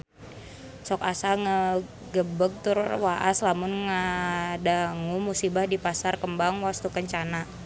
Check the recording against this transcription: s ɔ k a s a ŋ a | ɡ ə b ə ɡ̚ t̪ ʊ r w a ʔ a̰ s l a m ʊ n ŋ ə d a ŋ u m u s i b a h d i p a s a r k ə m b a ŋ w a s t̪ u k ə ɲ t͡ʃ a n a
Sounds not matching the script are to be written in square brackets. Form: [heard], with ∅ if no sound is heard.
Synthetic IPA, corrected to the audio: s ɔ k a s a ŋ [ə] | ɡ ə b ə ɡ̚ t̪ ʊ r w a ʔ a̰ s l a m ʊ n ŋ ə d a ŋ u m u s i b a h d i p a s a r k ə m b a ŋ w a s t̪ u k ə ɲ t͡ʃ a n a